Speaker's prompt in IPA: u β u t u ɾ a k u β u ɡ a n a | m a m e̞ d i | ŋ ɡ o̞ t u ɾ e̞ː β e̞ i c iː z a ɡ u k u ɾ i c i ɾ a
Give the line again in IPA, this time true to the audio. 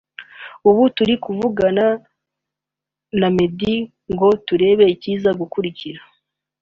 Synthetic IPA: u β u t u ɾ i k u v u ɡ a n a | n a m e̞ d i | ŋ ɡ o̞ t u ɾ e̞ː β e̞ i c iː z a ɡ u k u ɾ i c i ɾ a

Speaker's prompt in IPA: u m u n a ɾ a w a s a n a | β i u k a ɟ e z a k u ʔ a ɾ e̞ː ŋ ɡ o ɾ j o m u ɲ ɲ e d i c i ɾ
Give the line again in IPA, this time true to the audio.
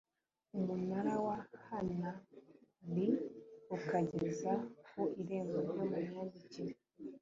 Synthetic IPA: u m u n a ɾ a w a h a n a | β i u k a ɟ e z a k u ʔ i ɾ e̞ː ŋ ɡ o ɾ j o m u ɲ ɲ a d i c i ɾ

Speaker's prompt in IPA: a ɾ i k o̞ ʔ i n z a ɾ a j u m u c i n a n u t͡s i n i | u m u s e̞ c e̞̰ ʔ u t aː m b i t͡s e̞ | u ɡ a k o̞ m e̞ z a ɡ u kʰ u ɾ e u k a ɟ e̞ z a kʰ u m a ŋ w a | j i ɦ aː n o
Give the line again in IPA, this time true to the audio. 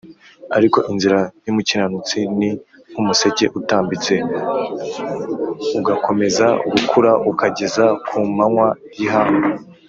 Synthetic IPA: a ɾ i k o̞ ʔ i n z i ɾ a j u m u c i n a n u t͡s i n i | u m u s e̞ c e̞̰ ʔ u t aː m b i t͡s e̞ | u ɡ a k o̞ m e̞ z a ɡ u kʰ u ɾ a u k a ɟ e̞ z a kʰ u m a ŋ w a | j i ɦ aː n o

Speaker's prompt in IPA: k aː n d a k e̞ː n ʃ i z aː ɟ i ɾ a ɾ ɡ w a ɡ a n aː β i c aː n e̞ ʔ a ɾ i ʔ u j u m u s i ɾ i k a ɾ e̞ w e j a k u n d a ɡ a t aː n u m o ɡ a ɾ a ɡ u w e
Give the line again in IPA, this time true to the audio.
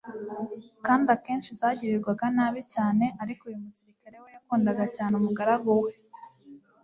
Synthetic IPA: k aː n d a k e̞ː n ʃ i z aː ɟ i ɾ i ɾ ɡ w a ɡ a n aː β i c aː n e̞ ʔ a ɾ i k u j u m u s i ɾ i k a ɾ e̞ w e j a k uː n d a ɡ a c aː n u m u ɡ a ɾ a ɡ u w e

